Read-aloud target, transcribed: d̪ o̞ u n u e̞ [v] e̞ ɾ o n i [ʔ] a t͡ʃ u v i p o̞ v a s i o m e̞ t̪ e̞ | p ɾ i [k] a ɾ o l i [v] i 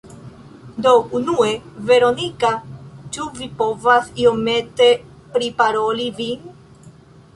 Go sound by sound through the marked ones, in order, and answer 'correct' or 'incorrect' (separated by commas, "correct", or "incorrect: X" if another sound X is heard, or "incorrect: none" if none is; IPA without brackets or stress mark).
correct, incorrect: k, incorrect: p, correct